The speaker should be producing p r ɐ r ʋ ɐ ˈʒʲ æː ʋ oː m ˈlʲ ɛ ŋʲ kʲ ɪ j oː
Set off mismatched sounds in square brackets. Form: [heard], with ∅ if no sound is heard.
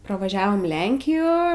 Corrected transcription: p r ɐ [∅] ʋ ɐ ˈʒʲ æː ʋ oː m ˈlʲ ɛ ŋʲ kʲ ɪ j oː